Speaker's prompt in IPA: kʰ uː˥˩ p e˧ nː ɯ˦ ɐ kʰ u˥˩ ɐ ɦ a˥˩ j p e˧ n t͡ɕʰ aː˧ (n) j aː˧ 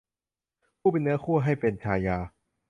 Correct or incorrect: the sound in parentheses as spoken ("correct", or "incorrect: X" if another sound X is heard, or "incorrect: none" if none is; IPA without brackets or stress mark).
incorrect: none